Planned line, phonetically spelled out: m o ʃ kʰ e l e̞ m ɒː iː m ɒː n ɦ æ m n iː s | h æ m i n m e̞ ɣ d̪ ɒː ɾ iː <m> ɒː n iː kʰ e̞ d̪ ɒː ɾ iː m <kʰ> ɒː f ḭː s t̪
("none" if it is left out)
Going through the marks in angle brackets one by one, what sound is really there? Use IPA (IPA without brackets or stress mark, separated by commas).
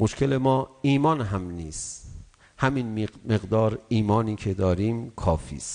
m, kʰ